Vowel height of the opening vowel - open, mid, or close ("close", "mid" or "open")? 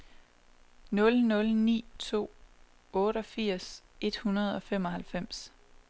mid